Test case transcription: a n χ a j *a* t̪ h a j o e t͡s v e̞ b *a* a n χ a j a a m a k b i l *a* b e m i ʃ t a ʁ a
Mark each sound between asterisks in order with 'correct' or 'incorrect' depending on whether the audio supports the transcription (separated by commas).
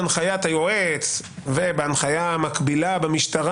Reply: correct, incorrect, correct